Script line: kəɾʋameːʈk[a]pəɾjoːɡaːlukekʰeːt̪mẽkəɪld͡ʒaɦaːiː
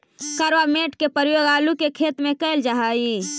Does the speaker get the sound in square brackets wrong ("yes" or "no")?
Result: yes